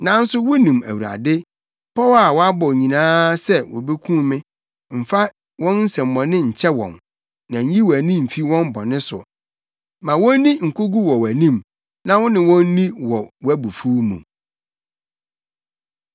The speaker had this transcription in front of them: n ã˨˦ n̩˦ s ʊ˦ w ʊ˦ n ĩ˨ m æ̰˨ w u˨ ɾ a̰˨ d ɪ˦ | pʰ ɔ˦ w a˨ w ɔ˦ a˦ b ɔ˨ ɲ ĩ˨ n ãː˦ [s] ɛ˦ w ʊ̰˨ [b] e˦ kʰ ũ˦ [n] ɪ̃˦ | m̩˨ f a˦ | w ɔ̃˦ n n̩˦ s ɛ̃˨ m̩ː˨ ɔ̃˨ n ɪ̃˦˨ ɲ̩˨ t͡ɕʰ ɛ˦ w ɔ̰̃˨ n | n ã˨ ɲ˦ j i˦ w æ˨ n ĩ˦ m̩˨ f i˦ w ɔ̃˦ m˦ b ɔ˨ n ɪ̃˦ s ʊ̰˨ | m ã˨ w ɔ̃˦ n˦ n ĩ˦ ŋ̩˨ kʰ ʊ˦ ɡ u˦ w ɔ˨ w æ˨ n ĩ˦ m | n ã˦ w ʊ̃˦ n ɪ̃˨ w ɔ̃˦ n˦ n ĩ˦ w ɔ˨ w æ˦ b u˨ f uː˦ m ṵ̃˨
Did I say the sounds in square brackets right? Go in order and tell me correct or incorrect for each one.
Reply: correct, correct, incorrect: m

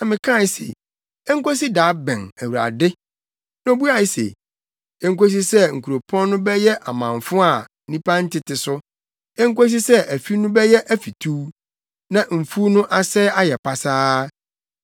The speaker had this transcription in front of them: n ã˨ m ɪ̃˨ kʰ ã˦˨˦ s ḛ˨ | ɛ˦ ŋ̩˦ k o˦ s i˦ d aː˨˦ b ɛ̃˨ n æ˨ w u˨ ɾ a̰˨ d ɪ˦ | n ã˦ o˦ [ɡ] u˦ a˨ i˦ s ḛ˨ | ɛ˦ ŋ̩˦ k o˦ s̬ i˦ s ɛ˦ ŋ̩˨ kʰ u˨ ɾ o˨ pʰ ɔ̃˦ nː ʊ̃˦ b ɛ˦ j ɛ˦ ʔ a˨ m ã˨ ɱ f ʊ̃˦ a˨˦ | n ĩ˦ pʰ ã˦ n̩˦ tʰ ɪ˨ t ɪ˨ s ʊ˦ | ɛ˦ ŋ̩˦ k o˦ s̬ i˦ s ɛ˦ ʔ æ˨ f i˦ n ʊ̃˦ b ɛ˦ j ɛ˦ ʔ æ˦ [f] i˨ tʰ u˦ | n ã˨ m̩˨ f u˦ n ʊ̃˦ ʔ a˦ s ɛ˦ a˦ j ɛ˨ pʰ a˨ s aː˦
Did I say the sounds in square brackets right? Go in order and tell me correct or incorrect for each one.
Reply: incorrect: b, correct

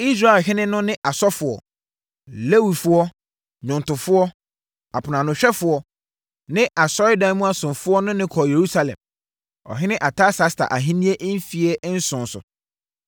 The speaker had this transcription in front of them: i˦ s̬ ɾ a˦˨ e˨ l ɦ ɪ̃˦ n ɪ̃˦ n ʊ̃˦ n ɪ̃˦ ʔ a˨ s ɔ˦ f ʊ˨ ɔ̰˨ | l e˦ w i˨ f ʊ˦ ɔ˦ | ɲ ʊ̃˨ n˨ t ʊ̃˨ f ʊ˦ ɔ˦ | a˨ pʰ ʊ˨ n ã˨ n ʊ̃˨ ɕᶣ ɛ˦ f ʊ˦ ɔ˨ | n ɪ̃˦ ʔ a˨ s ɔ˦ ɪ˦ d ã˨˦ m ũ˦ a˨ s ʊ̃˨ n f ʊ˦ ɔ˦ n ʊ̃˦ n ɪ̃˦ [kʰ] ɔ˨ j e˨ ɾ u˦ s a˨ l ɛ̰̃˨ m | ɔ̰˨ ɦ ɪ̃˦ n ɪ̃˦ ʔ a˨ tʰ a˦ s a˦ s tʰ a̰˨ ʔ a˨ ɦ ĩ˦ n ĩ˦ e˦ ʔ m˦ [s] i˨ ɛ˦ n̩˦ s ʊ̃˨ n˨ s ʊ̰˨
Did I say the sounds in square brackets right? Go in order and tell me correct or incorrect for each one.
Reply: correct, incorrect: f

